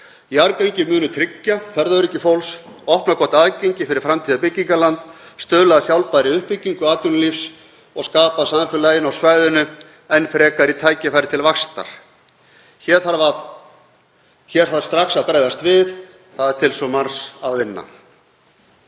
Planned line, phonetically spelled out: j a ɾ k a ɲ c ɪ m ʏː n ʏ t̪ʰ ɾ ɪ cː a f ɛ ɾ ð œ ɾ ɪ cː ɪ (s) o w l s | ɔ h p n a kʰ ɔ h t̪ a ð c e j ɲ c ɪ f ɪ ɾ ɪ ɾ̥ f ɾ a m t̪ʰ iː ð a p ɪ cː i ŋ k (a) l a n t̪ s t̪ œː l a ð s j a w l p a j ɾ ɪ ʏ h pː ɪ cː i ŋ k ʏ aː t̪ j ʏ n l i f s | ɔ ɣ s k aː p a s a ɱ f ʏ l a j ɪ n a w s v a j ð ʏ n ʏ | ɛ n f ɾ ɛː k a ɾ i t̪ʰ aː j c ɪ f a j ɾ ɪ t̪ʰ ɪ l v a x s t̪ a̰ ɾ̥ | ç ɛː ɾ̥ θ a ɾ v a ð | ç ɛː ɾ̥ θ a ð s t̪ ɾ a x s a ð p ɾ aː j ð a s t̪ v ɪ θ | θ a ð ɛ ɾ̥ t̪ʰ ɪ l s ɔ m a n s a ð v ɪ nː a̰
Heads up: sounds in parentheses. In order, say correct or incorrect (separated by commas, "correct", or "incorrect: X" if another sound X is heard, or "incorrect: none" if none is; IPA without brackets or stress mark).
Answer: incorrect: f, correct